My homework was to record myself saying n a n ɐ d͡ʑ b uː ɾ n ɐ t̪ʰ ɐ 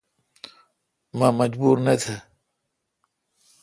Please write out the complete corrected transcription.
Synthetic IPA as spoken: m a m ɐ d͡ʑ b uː ɾ n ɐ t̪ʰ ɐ